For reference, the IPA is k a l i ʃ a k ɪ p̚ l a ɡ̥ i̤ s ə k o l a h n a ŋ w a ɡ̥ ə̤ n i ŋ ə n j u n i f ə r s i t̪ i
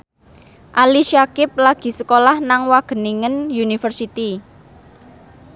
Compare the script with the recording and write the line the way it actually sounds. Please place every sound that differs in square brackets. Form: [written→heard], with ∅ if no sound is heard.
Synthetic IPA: [k→ʔ] a l i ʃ a k ɪ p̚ l a ɡ̥ i̤ s ə k o l a h n a ŋ w a ɡ̥ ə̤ n i ŋ ə n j u n i f ə r s i t̪ i